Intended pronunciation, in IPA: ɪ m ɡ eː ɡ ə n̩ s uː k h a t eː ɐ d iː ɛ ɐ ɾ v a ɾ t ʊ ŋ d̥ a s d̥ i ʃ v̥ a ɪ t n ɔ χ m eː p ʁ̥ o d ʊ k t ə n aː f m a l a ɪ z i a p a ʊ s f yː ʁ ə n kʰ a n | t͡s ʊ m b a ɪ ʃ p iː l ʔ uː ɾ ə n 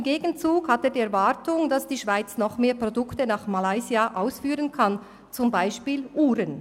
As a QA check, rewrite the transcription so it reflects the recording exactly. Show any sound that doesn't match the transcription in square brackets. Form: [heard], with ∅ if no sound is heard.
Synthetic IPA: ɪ m ɡ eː ɡ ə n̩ [t͡s] uː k h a t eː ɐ d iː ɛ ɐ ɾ v a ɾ t ʊ ŋ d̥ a s d̥ [iː] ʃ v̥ a ɪ [t͡s] n ɔ χ m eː p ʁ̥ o d ʊ k t ə n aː [χ] m a l a ɪ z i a [ʔ] a ʊ s f yː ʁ ə n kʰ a n | t͡s ʊ m b a ɪ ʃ p iː l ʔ uː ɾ ə n